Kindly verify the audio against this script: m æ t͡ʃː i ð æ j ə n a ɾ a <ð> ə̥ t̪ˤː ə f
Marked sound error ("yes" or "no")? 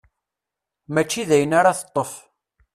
yes